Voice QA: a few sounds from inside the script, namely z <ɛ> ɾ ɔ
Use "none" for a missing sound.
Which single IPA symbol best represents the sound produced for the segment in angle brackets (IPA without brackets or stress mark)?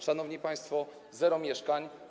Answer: ɛ